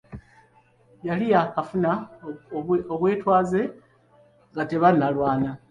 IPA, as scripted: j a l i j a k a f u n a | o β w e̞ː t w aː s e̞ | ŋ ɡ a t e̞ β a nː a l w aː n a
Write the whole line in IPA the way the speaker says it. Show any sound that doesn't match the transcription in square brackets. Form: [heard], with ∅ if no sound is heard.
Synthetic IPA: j a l i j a k a f u n a | o β w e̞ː t w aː [z] e̞ | ŋ ɡ a t e̞ β a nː a l w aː n a